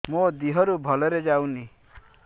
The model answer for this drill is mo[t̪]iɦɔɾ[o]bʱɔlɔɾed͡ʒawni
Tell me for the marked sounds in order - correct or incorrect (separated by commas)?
incorrect, incorrect